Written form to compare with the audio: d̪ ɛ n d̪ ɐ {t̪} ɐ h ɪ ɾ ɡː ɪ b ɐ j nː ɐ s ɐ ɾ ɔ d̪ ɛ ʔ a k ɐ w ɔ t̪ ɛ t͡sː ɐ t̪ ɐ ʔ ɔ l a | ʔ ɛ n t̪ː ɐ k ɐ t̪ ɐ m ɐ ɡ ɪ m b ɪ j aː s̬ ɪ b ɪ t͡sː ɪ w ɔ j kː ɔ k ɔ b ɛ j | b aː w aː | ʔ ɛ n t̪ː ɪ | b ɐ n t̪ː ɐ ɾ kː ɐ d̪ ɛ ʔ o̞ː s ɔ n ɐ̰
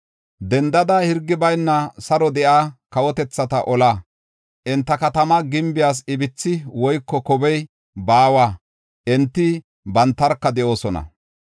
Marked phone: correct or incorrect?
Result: incorrect